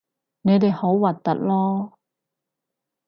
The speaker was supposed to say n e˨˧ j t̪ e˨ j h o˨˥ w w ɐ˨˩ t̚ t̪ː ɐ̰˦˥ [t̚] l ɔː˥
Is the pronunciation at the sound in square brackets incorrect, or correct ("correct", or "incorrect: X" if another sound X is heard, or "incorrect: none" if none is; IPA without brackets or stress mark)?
correct